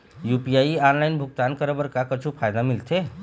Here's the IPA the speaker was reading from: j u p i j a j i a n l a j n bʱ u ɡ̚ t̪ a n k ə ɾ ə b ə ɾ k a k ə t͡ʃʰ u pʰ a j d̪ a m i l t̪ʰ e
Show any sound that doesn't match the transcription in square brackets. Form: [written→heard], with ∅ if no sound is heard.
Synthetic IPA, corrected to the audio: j u p i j a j i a n l a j n bʱ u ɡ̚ t̪ a n k ə ɾ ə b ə ɾ k a k ə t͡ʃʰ u pʰ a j d̪ a m i l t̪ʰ e